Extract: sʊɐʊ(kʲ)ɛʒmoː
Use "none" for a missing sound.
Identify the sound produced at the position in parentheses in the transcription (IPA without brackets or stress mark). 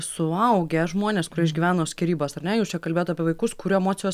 ɡʲ